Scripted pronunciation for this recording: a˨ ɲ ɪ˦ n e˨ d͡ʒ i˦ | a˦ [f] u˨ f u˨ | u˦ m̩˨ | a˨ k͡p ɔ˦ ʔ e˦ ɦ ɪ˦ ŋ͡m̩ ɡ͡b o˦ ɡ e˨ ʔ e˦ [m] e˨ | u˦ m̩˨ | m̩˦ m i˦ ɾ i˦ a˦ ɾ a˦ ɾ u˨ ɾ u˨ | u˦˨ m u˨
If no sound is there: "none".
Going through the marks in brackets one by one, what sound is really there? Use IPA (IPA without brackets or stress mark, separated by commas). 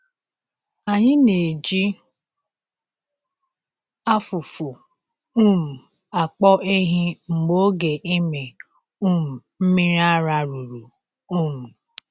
f, m